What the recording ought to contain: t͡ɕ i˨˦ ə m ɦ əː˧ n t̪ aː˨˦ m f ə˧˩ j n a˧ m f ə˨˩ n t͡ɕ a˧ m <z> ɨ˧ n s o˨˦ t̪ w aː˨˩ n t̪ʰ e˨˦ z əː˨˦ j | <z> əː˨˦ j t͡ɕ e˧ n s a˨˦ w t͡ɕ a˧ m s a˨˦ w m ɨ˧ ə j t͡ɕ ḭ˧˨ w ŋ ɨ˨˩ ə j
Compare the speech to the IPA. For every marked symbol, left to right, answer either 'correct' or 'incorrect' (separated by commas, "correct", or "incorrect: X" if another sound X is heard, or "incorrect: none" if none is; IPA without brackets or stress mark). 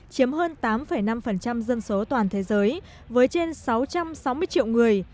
correct, incorrect: v